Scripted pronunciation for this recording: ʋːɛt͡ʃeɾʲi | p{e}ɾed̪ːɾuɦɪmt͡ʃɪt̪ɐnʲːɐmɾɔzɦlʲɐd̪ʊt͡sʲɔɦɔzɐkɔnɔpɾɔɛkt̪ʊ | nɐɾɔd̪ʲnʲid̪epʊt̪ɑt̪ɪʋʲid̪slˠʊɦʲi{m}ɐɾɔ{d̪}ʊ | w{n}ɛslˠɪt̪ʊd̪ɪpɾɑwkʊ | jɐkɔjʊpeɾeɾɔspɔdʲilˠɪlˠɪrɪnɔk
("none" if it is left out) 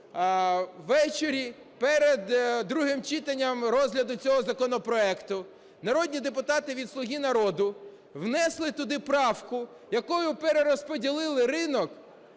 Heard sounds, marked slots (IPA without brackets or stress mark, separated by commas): ɛ, n, d̪, n